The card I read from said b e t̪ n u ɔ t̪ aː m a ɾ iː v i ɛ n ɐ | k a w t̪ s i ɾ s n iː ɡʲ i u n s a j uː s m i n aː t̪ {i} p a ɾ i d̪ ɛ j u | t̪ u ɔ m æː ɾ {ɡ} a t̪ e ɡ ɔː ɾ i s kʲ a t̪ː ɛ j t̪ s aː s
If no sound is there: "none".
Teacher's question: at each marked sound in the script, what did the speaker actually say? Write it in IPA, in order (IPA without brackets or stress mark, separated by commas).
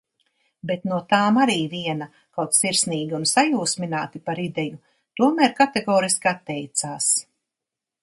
i, k